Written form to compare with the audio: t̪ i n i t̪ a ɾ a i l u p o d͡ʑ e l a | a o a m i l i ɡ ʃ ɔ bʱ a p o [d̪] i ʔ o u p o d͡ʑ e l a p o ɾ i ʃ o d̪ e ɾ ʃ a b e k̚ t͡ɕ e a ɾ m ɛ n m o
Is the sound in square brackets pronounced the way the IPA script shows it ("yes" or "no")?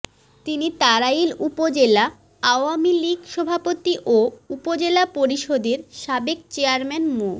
no